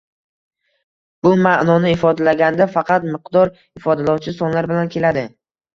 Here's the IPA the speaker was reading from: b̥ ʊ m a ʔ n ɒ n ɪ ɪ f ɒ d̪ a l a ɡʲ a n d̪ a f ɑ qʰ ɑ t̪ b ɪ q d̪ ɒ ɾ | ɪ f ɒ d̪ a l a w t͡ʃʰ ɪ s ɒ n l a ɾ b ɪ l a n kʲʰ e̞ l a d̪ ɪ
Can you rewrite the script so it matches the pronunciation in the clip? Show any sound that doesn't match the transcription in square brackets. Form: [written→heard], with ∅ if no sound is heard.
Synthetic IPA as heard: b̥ ʊ m a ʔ n ɒ n ɪ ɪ f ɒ d̪ a l a ɡʲ a n d̪ a f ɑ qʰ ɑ t̪ [b→m] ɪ q d̪ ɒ ɾ | ɪ f ɒ d̪ a l a w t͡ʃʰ ɪ s ɒ n l a ɾ b ɪ l a n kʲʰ e̞ l a d̪ ɪ